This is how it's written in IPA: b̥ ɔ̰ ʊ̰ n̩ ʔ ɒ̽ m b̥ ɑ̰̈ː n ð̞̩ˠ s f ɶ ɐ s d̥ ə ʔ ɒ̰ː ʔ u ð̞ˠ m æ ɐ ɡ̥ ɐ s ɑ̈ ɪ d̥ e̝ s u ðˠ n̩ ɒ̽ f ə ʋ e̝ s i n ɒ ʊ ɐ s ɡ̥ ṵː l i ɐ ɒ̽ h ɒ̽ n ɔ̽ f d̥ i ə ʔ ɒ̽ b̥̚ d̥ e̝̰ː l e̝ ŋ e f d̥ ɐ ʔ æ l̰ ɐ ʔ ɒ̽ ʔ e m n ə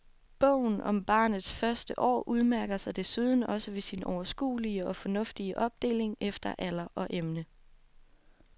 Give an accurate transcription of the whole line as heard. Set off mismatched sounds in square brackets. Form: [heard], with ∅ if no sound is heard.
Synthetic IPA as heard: b̥ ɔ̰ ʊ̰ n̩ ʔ ɒ̽ m b̥ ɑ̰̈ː n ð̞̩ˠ s f ɶ ɐ s d̥ ə ʔ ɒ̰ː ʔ u ð̞ˠ m æ ɐ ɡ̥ ɐ s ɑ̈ ɪ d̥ e̝ s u ðˠ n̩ ɒ̽ [s] ə ʋ e̝ s i n ɒ ʊ ɐ s ɡ̥ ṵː l i [ə] ɒ̽ [f] ɒ̽ n ɔ̽ f d̥ i ə ʔ ɒ̽ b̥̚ d̥ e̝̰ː l e̝ ŋ e f d̥ ɐ ʔ æ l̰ ɐ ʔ ɒ̽ ʔ e m n ə